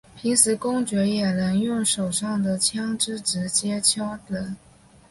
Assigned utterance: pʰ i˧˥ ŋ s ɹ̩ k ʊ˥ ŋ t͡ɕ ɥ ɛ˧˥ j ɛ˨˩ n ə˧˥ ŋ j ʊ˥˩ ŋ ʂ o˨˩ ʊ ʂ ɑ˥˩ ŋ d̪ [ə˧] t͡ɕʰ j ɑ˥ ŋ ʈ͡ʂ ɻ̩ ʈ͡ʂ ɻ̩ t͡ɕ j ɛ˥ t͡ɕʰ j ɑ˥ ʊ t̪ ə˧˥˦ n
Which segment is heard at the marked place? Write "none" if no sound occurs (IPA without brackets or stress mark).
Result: ə˩